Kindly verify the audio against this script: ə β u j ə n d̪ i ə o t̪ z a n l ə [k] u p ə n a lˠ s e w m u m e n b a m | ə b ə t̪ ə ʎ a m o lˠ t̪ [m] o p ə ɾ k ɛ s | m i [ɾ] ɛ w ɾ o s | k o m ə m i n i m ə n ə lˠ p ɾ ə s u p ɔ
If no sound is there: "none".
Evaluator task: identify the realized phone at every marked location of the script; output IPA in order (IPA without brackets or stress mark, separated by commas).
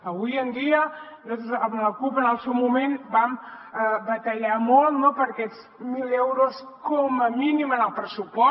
k, n, l